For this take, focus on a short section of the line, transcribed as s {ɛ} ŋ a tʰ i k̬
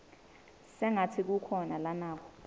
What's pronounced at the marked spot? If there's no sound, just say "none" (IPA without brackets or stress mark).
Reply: ɛ